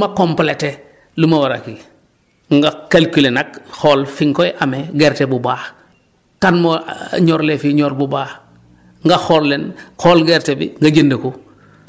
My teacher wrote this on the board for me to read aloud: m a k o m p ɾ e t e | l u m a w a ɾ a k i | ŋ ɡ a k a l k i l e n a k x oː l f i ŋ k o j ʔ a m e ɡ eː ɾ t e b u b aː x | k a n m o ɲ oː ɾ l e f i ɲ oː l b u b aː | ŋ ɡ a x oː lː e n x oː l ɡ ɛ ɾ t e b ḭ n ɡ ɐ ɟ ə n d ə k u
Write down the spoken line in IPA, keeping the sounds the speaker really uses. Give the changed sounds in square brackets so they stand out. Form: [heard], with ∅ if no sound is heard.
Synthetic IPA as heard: m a k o m p [l] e t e | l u m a w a ɾ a k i | ŋ ɡ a k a l k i l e n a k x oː l f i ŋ k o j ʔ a m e ɡ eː ɾ t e b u b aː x | k a n m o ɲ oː ɾ l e f i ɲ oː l b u b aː | ŋ ɡ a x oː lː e n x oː l ɡ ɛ ɾ t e b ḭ [ŋ] ɡ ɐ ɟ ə n d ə k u